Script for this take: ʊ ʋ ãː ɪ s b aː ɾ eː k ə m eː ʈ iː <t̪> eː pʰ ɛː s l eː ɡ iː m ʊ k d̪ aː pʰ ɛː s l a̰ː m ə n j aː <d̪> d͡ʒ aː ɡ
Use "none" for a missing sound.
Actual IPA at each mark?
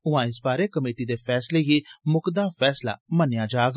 d̪, none

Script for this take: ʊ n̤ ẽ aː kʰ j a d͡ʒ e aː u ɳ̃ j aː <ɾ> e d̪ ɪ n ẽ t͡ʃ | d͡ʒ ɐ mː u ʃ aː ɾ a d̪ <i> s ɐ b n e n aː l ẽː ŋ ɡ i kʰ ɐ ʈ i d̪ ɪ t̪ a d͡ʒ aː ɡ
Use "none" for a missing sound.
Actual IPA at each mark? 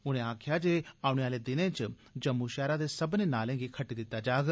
l, e

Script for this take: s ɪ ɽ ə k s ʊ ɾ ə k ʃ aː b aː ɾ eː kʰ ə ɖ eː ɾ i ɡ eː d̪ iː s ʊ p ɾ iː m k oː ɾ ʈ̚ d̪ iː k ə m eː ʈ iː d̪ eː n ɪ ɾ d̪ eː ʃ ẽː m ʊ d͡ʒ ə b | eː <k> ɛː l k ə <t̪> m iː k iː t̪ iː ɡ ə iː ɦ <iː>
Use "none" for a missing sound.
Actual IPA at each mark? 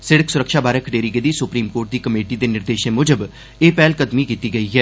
p, d̪, ɛː

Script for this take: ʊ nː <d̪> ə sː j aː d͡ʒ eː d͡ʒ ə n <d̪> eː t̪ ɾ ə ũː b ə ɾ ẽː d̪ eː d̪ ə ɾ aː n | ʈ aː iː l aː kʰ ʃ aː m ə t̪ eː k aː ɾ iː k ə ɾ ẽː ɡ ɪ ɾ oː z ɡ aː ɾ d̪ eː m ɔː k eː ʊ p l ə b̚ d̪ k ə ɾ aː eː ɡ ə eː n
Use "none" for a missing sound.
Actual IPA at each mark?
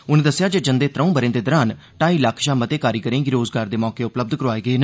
d̪, d̪

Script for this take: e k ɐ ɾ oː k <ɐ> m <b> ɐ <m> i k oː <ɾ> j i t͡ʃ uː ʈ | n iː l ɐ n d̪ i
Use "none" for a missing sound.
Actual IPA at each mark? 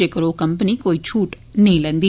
ɐ, p, n, none

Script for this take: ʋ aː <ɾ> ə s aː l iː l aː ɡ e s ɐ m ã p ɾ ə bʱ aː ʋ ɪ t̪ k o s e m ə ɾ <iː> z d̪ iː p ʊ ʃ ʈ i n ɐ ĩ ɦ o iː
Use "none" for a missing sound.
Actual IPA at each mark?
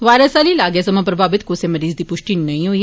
ɾ, iː

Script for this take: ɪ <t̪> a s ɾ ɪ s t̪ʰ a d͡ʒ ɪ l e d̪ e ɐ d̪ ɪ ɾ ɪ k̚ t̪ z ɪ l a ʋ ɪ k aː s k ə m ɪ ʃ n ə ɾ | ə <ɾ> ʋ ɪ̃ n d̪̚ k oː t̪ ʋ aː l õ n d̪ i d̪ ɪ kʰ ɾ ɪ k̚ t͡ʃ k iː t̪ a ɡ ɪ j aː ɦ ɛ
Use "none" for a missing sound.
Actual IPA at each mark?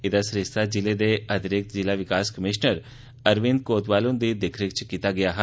d̪, ɾ

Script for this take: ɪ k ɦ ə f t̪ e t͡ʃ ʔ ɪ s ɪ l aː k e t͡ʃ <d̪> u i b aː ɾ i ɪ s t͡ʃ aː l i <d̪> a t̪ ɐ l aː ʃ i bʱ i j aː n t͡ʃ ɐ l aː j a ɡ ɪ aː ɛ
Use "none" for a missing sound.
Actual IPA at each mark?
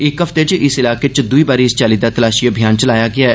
d̪, d̪

